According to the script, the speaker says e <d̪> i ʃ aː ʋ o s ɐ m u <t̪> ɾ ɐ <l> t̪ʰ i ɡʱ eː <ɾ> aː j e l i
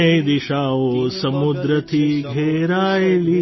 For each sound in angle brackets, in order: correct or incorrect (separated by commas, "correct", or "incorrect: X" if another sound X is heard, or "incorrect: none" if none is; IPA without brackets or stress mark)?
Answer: correct, incorrect: d̪, incorrect: none, correct